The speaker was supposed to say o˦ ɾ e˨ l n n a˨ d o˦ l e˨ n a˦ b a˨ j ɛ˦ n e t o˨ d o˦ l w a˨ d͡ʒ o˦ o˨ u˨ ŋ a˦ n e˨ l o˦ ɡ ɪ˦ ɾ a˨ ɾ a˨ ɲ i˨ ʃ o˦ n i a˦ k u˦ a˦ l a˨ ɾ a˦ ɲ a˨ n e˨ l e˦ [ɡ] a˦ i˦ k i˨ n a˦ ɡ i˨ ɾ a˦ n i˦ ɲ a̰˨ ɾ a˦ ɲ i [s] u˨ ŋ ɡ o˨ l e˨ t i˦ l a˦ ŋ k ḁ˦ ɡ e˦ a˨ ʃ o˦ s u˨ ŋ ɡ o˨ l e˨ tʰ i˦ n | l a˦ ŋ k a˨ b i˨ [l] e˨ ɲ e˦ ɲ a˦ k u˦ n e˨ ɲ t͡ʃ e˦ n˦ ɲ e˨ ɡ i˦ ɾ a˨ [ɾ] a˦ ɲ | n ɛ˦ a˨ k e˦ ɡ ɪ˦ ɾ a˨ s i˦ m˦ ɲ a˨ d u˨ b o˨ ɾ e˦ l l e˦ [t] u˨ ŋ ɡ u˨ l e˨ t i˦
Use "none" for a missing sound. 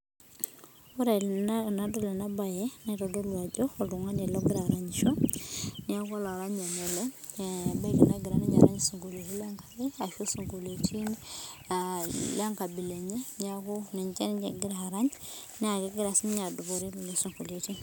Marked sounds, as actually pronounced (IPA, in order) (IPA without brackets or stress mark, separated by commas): b, s, l, ɾ, s